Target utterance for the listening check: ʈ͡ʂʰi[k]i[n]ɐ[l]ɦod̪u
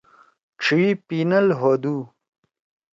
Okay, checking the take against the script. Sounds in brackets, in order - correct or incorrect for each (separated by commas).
incorrect, correct, correct